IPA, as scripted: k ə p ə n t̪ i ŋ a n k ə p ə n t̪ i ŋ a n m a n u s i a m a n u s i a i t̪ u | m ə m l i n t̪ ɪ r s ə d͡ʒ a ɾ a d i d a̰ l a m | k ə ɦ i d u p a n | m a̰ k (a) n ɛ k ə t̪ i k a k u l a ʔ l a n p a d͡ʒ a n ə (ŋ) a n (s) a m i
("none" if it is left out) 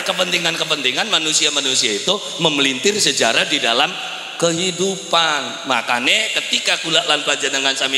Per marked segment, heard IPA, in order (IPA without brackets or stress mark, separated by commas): a, ŋ, s